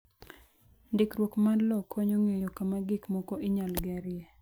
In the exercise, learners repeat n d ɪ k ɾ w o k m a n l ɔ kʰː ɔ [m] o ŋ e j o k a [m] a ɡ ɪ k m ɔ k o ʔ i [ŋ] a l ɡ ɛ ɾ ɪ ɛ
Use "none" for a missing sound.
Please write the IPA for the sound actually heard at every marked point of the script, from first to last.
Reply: ɲ, m, ɲ

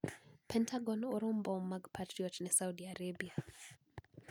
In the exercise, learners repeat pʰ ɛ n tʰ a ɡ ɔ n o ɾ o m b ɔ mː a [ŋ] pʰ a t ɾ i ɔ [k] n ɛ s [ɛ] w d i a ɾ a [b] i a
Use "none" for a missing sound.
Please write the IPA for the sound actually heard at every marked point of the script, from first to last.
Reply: ɡ, t, a, b

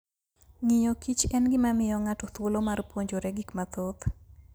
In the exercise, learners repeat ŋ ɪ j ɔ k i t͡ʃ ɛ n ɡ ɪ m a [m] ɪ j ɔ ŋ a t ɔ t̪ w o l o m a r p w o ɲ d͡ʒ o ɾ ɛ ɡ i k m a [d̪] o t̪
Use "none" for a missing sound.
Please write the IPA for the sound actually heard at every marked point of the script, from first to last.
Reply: m, t̪

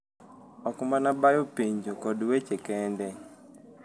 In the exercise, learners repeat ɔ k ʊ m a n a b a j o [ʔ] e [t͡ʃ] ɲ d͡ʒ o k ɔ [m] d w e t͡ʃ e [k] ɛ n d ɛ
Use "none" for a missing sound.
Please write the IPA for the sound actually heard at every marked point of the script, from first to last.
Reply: p, none, none, k

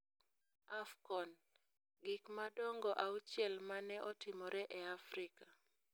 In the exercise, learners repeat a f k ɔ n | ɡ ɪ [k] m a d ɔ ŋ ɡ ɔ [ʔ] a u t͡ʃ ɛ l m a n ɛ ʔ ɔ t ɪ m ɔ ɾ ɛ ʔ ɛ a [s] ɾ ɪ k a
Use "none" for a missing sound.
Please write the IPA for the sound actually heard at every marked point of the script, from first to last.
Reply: k, ʔ, f

